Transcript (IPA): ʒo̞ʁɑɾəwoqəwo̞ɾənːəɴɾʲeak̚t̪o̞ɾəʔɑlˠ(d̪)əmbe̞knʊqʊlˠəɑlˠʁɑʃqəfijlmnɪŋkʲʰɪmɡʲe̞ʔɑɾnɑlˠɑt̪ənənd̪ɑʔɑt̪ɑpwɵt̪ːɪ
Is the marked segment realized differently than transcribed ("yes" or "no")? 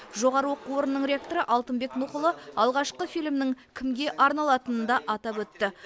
yes